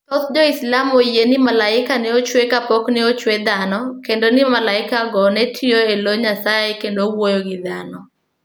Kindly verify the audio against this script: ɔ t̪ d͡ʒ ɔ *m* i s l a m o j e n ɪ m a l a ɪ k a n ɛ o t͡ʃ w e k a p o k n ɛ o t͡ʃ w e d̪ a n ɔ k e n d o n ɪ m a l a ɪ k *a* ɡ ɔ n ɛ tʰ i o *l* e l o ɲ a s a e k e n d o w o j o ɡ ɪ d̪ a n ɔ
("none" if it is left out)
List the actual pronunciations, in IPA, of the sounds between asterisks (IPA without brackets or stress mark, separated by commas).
none, a, none